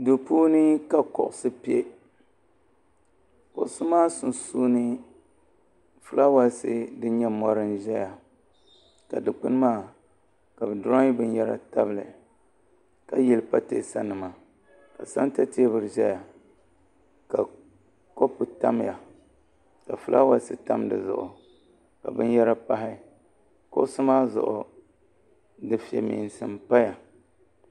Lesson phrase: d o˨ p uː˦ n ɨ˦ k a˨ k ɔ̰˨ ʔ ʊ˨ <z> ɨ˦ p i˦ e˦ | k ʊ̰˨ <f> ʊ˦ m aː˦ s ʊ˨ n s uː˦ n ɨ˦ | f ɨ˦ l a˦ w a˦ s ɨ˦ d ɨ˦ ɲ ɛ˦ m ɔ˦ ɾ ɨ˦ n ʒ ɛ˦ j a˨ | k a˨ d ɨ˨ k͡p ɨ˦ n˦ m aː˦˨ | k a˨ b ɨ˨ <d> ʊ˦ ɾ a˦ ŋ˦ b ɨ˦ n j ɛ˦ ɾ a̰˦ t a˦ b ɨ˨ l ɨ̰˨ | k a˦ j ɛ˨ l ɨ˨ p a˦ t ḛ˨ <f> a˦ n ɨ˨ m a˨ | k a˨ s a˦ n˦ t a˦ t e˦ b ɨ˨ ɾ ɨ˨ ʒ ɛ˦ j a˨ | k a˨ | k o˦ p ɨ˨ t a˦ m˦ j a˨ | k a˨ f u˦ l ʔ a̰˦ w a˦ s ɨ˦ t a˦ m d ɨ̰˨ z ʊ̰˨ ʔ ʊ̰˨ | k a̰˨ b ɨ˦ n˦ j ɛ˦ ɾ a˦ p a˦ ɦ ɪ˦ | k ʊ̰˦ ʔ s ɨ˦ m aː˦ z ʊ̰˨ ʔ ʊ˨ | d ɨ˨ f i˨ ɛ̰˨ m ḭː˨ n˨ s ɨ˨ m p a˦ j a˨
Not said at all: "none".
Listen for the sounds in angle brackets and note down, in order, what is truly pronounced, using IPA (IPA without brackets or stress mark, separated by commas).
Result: s, s, d, s